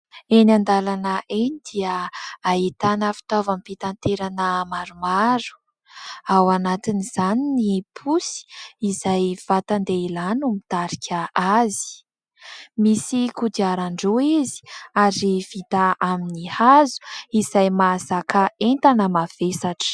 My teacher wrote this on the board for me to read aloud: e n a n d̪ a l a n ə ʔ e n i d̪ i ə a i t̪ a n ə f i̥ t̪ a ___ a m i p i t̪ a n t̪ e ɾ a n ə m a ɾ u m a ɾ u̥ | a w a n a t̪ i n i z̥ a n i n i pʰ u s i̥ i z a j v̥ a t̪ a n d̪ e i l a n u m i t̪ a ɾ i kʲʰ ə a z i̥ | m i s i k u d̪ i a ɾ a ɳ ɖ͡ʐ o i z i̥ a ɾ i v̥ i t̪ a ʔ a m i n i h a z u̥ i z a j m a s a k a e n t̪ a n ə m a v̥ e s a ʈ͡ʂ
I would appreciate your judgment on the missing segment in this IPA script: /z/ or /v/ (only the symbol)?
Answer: v